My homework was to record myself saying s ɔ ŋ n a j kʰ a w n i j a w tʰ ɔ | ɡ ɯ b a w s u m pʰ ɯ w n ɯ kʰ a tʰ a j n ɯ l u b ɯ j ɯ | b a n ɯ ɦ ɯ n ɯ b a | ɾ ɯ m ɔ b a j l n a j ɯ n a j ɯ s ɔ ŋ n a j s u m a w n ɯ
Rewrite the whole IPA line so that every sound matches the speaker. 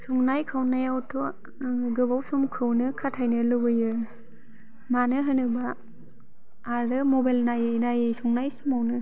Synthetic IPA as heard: s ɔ ŋ n a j kʰ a w n a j a w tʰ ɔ | ɡ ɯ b a w s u m kʰ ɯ w n ɯ kʰ a tʰ a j n ɯ l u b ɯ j ɯ | m a n ɯ ɦ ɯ n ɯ b a | ɾ ɯ m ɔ b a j l n a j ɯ n a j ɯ s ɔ ŋ n a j s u m a w n ɯ